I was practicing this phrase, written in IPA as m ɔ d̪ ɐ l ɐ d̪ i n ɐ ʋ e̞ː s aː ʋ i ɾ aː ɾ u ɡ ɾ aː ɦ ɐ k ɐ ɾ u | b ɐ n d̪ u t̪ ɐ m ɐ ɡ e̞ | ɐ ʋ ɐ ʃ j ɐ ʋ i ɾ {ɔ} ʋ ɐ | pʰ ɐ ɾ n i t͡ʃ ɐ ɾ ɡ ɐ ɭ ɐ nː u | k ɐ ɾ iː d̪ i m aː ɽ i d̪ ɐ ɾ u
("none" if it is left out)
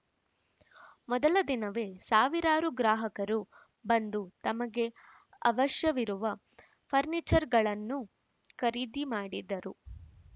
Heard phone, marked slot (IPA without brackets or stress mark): u